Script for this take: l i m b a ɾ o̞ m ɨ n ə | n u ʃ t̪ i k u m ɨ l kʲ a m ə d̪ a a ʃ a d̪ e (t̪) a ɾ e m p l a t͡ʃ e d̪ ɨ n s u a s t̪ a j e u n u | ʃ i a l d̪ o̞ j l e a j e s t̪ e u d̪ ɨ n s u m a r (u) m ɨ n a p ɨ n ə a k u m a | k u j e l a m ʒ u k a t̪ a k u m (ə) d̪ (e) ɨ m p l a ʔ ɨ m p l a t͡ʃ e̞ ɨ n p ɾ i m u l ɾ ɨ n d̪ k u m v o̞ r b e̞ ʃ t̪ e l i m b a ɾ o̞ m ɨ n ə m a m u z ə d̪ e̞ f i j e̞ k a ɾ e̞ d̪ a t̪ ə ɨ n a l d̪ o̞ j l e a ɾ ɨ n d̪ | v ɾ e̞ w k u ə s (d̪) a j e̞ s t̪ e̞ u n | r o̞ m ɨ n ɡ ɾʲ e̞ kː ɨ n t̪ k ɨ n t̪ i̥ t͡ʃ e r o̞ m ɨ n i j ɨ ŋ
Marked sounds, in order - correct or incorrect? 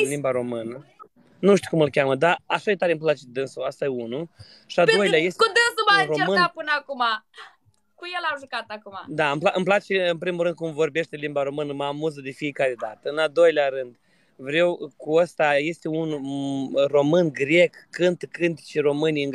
correct, incorrect: o, incorrect: a, incorrect: a, incorrect: t̪

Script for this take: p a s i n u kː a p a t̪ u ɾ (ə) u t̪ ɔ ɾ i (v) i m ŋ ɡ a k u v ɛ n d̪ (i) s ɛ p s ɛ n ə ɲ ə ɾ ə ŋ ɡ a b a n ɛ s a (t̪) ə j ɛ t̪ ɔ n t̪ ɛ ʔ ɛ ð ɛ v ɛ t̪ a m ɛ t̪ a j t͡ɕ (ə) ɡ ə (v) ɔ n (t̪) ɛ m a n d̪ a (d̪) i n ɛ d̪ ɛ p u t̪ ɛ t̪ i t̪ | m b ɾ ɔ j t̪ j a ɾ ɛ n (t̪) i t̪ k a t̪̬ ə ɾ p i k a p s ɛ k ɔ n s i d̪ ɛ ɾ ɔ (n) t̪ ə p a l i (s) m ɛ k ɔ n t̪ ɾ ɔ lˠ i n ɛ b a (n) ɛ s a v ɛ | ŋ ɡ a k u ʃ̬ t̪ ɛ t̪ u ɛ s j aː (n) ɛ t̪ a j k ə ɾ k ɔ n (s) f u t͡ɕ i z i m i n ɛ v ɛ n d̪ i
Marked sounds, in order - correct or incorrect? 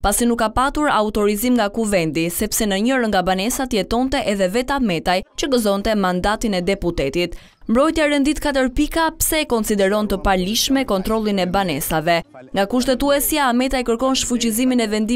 incorrect: a, incorrect: z, correct, correct, correct, incorrect: z, correct, incorrect: t̪, incorrect: d̪, correct, incorrect: ʃ, correct, incorrect: m, incorrect: ʃ

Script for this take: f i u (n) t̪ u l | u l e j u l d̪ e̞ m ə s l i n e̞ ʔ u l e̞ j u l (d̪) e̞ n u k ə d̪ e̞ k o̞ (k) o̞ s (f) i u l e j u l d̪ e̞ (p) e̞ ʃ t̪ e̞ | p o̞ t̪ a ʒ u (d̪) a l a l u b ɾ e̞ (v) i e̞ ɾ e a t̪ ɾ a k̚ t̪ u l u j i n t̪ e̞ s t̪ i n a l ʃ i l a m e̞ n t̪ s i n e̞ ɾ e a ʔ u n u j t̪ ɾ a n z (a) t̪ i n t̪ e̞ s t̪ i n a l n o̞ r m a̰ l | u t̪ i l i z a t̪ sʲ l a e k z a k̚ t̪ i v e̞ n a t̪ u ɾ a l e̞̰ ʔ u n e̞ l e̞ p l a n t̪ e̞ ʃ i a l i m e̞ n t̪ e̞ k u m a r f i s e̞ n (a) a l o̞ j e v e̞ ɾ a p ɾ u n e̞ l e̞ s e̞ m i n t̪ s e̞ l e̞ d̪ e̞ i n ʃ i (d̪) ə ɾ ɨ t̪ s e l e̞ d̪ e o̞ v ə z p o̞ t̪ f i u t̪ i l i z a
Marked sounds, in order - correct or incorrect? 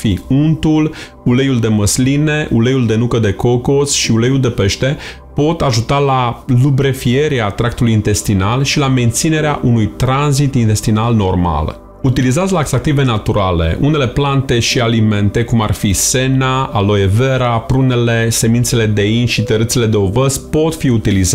correct, correct, correct, incorrect: ʃ, correct, incorrect: t̪, incorrect: f, incorrect: i, correct, incorrect: t̪

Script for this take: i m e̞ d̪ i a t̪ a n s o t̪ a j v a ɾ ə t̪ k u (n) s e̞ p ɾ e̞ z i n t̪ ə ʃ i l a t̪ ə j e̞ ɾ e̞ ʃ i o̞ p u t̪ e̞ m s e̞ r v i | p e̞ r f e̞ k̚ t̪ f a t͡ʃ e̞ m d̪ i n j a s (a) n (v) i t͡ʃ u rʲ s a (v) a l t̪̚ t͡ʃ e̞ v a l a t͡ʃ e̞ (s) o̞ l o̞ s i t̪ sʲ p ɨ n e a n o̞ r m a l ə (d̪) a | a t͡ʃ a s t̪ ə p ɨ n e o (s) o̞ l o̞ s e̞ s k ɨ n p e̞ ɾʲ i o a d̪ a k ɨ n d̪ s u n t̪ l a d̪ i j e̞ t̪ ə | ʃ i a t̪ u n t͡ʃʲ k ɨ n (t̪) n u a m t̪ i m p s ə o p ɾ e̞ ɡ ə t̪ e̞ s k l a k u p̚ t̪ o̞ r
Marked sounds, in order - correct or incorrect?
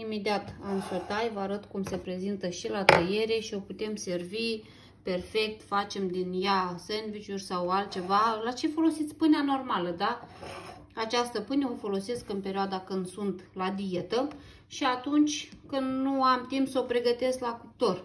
incorrect: m, incorrect: e, correct, incorrect: w, incorrect: f, correct, incorrect: f, incorrect: d̪

